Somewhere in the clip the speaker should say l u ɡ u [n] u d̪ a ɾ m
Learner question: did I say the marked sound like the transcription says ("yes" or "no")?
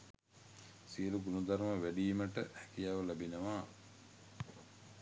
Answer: yes